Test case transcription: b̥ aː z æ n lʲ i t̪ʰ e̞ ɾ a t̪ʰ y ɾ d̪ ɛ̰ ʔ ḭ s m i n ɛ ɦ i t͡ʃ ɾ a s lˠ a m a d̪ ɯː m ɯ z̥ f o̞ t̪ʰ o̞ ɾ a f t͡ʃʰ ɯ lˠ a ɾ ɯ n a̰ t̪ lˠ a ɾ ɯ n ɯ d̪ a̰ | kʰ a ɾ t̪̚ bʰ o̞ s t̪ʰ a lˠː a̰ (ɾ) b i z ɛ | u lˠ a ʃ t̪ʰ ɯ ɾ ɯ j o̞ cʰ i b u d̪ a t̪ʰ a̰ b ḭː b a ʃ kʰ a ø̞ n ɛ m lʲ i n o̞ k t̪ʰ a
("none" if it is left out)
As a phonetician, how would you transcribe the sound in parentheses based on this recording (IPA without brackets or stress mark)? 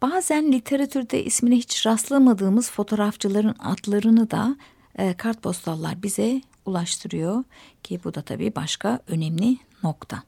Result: ɾ